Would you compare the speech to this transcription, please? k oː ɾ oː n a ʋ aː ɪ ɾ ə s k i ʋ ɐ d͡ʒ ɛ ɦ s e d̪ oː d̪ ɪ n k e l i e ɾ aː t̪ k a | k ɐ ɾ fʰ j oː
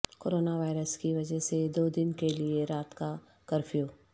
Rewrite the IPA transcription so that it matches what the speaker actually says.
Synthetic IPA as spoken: k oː ɾ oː n a ʋ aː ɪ ɾ ə s k i ʋ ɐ d͡ʒ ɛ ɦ s e d̪ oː d̪ ɪ n k e l i e ɾ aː t̪ k a | k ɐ ɾ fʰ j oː